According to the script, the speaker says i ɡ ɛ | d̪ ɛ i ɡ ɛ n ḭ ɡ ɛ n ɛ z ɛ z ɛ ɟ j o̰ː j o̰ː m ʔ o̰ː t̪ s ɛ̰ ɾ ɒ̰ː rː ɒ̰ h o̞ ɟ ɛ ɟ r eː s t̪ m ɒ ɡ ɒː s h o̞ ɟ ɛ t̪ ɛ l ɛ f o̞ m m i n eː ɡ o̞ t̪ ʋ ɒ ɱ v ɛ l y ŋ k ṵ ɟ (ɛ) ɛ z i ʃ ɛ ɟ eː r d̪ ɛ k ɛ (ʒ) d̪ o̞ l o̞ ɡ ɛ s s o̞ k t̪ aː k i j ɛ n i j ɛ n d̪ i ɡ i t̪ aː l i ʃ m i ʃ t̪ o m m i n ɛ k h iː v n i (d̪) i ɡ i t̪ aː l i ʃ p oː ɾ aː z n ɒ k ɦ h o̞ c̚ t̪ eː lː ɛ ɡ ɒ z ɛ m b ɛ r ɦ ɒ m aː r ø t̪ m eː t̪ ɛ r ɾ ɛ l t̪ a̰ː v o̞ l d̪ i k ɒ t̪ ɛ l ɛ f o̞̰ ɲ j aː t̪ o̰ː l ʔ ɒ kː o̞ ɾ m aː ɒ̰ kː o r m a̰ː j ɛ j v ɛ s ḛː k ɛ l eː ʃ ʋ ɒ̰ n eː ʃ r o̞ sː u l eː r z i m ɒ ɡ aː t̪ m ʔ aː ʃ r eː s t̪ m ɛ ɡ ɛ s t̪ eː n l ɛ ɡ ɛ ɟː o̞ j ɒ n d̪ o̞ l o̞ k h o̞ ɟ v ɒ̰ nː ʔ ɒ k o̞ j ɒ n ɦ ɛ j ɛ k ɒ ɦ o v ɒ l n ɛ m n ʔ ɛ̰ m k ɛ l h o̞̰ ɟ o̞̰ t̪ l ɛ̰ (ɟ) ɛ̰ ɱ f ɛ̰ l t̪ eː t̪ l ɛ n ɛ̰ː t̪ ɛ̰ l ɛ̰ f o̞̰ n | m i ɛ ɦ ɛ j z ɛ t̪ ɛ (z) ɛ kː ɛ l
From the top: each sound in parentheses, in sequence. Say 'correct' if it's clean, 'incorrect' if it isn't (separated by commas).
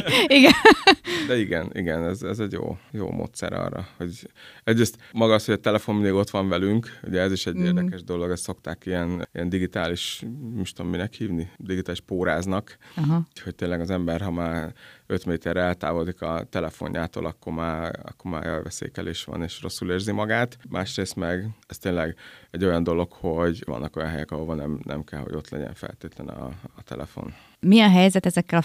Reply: correct, correct, correct, correct, correct